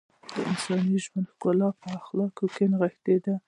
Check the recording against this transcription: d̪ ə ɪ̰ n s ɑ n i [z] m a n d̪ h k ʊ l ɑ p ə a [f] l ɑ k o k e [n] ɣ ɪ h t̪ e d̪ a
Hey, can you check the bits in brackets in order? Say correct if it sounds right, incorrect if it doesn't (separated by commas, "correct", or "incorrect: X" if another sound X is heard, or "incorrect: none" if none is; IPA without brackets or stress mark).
incorrect: ʒ, incorrect: x, correct